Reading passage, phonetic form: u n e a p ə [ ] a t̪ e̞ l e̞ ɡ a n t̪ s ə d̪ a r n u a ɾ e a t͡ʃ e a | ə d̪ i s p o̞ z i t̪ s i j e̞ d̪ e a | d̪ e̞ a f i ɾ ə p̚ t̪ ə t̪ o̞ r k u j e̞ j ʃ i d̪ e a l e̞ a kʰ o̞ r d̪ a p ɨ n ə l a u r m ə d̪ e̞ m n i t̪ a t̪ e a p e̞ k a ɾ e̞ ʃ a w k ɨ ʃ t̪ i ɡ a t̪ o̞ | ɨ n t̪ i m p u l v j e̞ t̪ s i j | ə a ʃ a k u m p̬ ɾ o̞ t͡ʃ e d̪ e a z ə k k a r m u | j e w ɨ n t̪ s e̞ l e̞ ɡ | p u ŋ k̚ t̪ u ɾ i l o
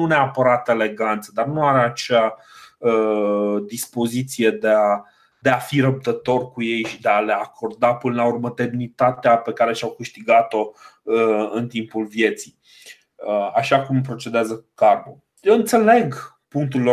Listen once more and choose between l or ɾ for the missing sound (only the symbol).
ɾ